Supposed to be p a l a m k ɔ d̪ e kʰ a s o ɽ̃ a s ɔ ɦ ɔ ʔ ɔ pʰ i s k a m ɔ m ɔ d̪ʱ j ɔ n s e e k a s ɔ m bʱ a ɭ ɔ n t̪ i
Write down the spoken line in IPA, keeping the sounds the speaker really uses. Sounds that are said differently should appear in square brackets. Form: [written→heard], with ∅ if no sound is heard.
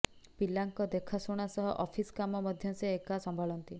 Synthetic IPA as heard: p [a→i] l a [m→ŋ] k ɔ d̪ e kʰ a s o ɽ̃ a s ɔ ɦ ɔ ʔ ɔ pʰ i s k a m ɔ m ɔ d̪ʱ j ɔ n s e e k a s ɔ m bʱ a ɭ ɔ n t̪ i